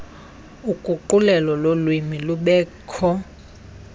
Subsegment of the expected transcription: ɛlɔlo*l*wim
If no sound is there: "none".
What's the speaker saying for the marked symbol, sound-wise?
l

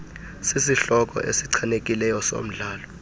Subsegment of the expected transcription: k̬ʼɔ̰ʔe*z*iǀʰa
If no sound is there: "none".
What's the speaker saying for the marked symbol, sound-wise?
s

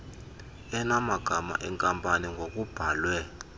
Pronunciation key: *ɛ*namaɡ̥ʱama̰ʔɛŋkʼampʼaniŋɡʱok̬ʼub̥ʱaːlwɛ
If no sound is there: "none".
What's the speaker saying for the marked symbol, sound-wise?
ɛ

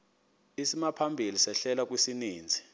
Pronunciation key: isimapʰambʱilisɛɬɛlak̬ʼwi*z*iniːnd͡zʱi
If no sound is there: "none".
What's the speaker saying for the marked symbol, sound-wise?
s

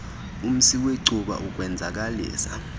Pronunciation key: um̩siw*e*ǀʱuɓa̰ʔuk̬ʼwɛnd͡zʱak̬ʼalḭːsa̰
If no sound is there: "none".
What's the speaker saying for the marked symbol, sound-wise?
e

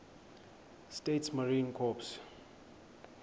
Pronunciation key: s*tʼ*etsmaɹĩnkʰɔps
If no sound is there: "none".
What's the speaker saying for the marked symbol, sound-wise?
t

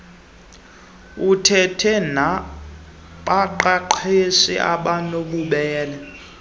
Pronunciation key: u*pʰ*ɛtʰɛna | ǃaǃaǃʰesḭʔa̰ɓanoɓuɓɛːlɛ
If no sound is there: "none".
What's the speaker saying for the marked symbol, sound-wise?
tʰ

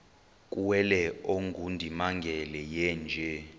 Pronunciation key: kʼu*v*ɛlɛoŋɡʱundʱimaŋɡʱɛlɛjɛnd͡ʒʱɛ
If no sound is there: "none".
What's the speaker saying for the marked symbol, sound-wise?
w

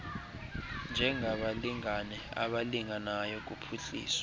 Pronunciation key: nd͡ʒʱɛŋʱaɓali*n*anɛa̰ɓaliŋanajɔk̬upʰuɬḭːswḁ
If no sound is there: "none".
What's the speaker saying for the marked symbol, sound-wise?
ŋ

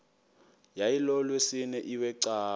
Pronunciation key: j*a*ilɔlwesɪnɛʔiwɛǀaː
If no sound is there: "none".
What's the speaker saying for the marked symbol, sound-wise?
a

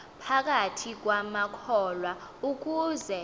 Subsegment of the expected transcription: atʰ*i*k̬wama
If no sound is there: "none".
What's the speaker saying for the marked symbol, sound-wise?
i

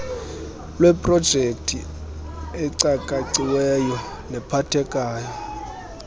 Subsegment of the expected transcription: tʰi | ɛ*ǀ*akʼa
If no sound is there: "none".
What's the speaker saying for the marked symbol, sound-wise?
ǀ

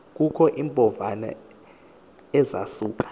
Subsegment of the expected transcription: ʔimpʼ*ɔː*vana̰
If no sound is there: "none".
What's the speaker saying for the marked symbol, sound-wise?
ɔ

